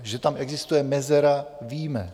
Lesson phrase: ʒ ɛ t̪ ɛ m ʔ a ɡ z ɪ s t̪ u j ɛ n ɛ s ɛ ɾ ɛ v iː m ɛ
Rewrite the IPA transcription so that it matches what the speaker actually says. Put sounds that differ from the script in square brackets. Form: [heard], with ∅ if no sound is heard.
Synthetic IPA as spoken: ʒ ɛ t̪ [a] m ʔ [ɛ] ɡ z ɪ s t̪ u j ɛ [m] ɛ [z] ɛ ɾ [a] v iː m ɛ